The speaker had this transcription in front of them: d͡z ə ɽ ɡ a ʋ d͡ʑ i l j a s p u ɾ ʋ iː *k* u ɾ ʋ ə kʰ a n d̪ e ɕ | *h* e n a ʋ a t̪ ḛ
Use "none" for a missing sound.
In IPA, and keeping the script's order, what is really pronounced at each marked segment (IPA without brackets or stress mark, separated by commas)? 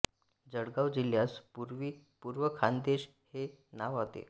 p, h